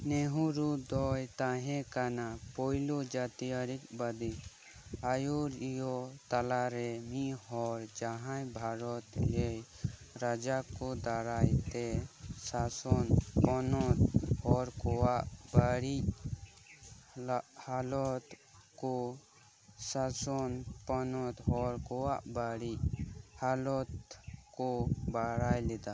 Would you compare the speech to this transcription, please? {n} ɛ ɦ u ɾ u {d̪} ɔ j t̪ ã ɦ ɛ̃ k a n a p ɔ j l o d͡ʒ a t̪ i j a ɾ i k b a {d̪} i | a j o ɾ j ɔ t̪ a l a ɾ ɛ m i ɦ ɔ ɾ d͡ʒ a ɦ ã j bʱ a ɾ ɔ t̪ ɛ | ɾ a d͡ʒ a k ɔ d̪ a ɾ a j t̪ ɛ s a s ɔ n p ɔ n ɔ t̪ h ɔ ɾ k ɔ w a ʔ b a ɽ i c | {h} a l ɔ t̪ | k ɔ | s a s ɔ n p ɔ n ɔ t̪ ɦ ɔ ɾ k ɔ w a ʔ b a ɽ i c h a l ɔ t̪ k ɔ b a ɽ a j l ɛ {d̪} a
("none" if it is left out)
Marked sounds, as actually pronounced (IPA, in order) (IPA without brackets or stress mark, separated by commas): n, d̪, d̪, h, d̪